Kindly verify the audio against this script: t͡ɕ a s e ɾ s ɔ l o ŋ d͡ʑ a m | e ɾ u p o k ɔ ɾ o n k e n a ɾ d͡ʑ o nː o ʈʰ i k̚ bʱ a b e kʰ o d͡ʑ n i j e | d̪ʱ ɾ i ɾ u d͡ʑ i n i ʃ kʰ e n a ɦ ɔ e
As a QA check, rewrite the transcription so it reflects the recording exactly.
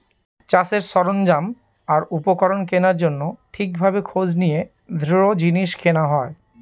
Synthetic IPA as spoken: t͡ɕ a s e ɾ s ɔ ɾ o n d͡ʑ a m | a ɾ u p o k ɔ ɾ o n k e n a ɾ d͡ʑ o nː o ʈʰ i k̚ bʱ a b e kʰ o d͡ʑ n i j e | d̪ʱ ɾ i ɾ o d͡ʑ i n i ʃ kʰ e n a ɦ ɔ e